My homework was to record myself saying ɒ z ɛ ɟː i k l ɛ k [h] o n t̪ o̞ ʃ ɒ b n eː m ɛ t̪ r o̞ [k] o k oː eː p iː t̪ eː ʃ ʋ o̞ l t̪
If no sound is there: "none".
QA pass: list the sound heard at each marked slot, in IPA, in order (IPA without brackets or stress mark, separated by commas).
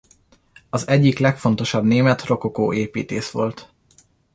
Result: f, k